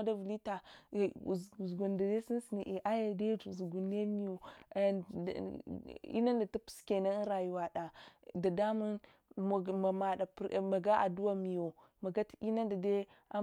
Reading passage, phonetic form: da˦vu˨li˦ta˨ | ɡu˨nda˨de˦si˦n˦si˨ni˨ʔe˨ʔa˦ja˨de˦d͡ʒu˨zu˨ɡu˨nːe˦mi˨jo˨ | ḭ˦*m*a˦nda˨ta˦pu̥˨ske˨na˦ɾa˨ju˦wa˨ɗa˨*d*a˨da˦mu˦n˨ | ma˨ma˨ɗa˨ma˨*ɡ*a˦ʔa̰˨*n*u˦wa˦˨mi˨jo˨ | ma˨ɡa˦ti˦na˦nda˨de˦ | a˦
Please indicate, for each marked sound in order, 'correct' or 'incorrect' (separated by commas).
incorrect, correct, correct, incorrect